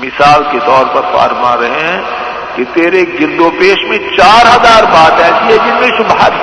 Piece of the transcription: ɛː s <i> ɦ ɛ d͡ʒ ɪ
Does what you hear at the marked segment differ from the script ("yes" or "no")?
no